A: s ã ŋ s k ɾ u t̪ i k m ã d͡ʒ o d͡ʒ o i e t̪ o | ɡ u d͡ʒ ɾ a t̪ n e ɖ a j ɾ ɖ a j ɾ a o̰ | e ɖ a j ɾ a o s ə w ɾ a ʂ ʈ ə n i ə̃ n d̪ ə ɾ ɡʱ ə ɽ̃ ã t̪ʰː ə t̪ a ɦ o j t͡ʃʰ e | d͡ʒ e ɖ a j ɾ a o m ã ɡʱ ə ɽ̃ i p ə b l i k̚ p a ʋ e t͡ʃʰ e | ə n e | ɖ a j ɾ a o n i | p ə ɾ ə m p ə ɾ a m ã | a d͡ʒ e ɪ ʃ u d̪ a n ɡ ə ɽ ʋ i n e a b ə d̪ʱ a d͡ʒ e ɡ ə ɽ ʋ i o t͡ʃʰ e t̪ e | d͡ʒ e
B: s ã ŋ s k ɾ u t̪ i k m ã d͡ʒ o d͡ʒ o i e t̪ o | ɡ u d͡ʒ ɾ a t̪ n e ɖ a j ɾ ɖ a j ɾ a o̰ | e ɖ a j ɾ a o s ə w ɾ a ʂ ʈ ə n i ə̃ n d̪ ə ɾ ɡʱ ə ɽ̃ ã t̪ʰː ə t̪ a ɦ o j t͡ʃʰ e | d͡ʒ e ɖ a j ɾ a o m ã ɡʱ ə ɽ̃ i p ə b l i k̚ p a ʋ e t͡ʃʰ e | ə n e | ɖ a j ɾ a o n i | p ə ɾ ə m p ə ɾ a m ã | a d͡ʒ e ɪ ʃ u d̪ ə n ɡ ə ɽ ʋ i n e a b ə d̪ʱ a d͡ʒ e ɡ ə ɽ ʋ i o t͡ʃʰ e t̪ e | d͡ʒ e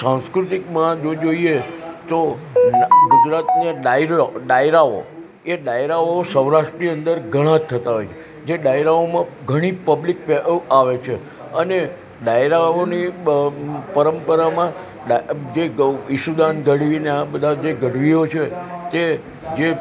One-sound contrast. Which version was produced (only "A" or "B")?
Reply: A